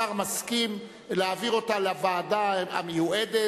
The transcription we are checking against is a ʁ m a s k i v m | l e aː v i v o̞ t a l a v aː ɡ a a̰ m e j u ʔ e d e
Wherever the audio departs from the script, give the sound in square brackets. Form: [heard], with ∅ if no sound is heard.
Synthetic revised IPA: a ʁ m a s k i [∅] m | l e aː v i [ʁ] o̞ t a l a v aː [d] a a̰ m e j u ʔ e d e